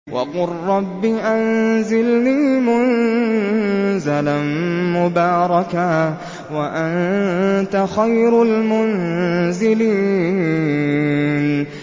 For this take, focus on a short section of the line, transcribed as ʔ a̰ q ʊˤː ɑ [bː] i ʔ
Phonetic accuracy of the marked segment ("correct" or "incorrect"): correct